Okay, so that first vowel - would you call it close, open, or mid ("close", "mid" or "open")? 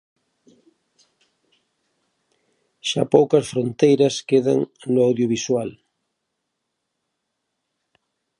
open